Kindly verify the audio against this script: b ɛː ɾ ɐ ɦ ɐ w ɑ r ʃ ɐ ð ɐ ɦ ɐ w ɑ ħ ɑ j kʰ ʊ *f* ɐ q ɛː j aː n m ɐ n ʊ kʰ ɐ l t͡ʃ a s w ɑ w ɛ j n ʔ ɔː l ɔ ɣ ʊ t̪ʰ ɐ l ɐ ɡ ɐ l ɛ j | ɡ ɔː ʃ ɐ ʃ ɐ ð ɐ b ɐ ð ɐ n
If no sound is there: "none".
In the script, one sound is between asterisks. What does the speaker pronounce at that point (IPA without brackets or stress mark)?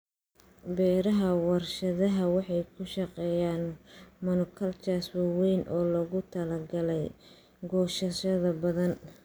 ʃ